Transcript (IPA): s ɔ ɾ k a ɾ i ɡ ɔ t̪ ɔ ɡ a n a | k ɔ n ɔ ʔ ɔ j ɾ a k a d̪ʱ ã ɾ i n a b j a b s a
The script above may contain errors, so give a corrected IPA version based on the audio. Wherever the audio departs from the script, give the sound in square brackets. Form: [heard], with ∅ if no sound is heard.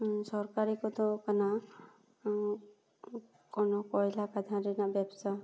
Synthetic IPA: s ɔ ɾ k a ɾ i [k] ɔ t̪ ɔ [k] a n a | k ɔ n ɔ [k] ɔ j [l] a k a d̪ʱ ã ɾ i n a b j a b s a